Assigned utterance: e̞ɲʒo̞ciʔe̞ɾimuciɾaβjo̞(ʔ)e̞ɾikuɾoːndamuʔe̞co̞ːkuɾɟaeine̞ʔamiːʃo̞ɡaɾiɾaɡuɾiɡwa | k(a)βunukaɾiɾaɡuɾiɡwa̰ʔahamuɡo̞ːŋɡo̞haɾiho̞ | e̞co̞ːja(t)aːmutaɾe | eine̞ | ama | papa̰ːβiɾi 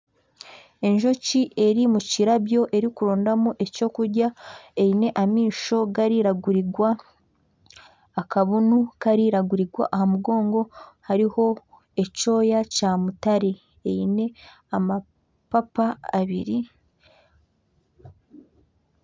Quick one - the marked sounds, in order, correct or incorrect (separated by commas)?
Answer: correct, correct, incorrect